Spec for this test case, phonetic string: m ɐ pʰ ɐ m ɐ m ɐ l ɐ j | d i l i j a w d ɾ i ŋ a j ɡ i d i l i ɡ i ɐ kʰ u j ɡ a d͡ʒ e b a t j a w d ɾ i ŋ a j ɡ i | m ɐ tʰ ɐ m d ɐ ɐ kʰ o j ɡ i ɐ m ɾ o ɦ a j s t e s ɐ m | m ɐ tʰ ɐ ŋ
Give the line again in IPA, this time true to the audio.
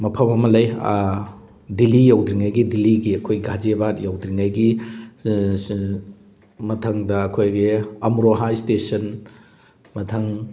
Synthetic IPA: m ɐ pʰ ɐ m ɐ m ɐ l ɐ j | d i l i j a w d ɾ i ŋ a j ɡ i d i l i ɡ i ɐ kʰ o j ɡ a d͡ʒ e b a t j a w d ɾ i ŋ a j ɡ i | m ɐ tʰ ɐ ŋ d ɐ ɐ kʰ o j ɡ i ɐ m ɾ o ɦ a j s t e s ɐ n | m ɐ tʰ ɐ ŋ